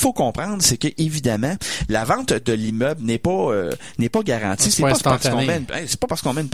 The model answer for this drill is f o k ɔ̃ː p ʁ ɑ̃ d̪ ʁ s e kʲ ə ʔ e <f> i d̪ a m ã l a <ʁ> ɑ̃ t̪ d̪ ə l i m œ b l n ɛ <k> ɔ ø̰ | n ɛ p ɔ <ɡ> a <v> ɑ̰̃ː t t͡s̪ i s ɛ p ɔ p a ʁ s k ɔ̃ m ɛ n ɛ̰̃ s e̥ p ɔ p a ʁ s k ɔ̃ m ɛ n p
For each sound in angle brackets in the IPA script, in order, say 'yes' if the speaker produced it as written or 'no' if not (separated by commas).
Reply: no, no, no, yes, no